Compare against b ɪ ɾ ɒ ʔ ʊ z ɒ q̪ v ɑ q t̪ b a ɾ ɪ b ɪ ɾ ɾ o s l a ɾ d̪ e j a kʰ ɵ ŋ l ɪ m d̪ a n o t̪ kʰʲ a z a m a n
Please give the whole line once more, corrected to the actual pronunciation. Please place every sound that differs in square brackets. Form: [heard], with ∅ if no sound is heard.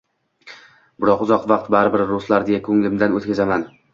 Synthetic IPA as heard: b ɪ ɾ ɒ [q] ʊ z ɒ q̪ v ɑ q t̪ b a ɾ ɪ b ɪ ɾ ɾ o s l a ɾ d̪ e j a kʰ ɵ ŋ l ɪ m d̪ a n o t̪ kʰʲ a z a m a n